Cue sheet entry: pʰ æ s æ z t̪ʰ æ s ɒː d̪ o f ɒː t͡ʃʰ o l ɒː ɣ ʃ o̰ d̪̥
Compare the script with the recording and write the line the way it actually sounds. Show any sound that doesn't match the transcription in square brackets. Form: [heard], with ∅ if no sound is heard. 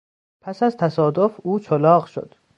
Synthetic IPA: pʰ æ s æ z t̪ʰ æ s ɒː d̪ o f [uː] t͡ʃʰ o l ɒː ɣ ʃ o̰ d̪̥